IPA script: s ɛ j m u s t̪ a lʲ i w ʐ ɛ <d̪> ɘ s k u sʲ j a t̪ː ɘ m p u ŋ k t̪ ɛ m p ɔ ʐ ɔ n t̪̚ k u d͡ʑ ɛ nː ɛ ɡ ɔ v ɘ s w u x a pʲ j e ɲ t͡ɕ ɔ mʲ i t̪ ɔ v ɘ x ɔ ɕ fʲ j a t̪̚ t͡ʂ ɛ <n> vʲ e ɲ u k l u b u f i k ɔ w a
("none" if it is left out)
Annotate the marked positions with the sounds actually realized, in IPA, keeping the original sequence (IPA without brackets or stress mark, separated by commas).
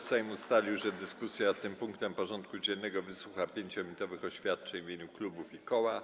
d̪, ɲ